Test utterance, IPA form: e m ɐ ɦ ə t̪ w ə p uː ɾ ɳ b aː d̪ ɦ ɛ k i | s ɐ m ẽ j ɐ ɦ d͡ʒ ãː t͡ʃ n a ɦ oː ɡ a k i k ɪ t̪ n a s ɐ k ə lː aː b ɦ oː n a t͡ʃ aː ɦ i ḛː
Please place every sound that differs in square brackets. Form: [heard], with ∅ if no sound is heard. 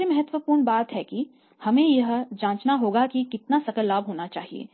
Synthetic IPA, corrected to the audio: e m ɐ ɦ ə t̪ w ə p uː ɾ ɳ b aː [t̪] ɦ ɛ k i | [h] ɐ m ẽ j ɐ ɦ d͡ʒ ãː t͡ʃ n a ɦ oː ɡ a k i k ɪ t̪ n a s ɐ k ə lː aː b ɦ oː n a t͡ʃ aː ɦ i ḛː